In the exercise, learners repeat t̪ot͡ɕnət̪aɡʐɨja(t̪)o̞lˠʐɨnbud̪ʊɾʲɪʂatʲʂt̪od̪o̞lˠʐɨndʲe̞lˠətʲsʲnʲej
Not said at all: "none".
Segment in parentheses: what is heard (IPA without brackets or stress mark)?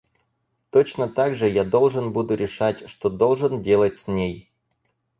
d̪